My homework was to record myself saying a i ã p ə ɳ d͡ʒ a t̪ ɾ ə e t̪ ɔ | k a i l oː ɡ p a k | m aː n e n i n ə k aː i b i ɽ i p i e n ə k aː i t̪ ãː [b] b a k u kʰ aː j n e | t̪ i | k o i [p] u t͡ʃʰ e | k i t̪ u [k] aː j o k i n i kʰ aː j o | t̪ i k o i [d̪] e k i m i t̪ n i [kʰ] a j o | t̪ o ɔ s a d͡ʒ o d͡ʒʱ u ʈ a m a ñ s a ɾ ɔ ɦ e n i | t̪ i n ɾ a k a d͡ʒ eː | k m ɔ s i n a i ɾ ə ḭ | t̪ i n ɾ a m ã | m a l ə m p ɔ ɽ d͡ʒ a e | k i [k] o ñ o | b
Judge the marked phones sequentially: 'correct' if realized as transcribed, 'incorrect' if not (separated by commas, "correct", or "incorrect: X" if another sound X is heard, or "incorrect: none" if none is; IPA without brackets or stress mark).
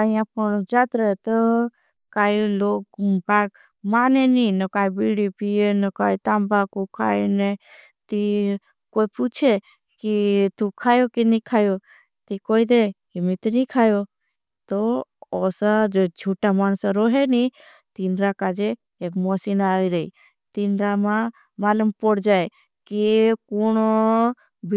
incorrect: m, correct, incorrect: kʰ, correct, correct, correct